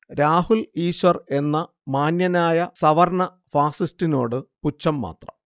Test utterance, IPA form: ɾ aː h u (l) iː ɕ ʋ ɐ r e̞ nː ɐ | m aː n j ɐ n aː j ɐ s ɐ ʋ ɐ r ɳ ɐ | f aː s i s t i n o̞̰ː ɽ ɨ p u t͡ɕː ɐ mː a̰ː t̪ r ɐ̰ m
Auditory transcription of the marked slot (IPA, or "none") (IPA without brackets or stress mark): l